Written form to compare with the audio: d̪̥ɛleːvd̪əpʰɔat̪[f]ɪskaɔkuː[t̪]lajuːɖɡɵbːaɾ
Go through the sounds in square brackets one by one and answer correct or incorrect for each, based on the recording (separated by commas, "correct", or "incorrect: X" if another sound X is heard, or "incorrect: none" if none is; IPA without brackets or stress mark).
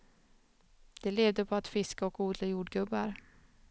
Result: correct, incorrect: d̪